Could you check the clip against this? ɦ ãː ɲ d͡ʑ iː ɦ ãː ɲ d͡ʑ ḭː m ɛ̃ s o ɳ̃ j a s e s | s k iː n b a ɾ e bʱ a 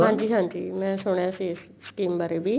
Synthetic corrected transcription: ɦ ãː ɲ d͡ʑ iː ɦ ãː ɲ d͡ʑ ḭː m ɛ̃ s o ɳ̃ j a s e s | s k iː m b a ɾ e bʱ i

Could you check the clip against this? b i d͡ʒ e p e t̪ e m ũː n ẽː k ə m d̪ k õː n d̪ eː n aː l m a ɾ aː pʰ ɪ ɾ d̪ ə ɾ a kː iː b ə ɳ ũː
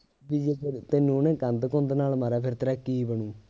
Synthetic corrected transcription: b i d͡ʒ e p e t̪ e n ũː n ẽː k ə n d̪ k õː n d̪ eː n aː l m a ɾ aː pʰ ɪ ɾ t̪ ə ɾ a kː iː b ə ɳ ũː

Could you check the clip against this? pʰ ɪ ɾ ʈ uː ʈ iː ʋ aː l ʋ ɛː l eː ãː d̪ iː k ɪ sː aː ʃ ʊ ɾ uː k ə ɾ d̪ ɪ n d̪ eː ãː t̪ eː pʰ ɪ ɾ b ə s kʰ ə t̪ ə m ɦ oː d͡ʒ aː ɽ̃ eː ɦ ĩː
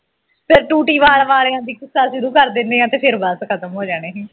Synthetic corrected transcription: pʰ ɪ ɾ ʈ uː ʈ iː ʋ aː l ʋ aː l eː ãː d̪ iː k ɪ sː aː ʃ ʊ ɾ uː k ə ɾ d̪ ɪ n d̪ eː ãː t̪ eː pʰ ɪ ɾ b ə s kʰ ə t̪ ə m ɦ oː d͡ʒ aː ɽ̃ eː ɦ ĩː

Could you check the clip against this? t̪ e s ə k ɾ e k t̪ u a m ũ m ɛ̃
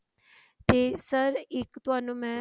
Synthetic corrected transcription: t̪ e s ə ɾ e k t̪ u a n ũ m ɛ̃

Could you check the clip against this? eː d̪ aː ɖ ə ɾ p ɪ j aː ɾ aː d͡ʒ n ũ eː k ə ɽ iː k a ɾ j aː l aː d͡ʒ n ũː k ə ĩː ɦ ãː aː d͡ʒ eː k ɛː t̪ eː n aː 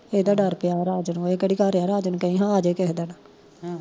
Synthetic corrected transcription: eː d̪ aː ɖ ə ɾ p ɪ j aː ɾ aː d͡ʒ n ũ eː k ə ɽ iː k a ɾ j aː ɾ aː d͡ʒ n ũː k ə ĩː ɦ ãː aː d͡ʒ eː k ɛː d̪ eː n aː

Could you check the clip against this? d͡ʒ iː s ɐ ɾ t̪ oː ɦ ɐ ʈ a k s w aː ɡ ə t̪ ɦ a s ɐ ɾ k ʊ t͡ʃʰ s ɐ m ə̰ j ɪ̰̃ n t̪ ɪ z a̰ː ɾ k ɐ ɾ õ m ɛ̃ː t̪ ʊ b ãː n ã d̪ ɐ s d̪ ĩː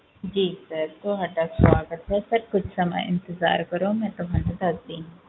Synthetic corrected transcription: d͡ʒ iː s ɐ ɾ t̪ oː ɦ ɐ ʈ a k s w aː ɡ ə t̪ ɦ ɛ s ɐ ɾ k ʊ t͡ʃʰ s ɐ m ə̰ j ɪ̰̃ n t̪ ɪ z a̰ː ɾ k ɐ ɾ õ m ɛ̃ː t̪ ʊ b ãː n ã d̪ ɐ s d̪ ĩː

